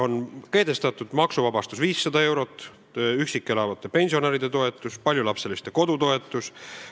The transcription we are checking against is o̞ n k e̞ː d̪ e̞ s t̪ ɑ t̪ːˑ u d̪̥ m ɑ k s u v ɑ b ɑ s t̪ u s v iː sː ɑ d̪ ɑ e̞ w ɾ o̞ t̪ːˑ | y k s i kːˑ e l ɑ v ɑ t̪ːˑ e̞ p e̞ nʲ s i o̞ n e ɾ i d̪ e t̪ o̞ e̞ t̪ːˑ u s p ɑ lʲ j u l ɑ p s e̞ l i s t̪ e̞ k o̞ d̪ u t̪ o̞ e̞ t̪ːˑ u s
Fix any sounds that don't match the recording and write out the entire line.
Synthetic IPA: o̞ n k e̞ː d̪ e̞ s t̪ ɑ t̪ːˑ u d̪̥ m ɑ k s u v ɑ b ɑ s t̪ u s v iː sː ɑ d̪ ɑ e̞ w ɾ o̞ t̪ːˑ | y k s i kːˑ e l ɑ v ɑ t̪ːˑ e̞ p e̞ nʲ s i o̞ n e ɾ i d̪ e t̪ o̞ e̞ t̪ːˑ u s p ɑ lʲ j u l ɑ p s e̞ l i s t̪ e̞ k o̞ d̪ u t̪ o̞ e̞ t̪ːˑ u s